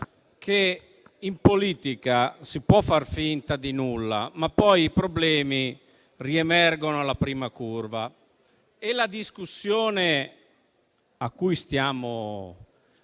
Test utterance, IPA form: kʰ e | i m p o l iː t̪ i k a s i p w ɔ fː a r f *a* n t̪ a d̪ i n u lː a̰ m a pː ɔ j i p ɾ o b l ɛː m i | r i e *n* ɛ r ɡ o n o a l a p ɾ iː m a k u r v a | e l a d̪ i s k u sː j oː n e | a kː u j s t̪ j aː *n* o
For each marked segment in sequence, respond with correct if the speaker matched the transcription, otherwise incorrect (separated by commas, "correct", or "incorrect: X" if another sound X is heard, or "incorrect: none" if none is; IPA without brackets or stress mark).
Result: incorrect: i, incorrect: m, incorrect: m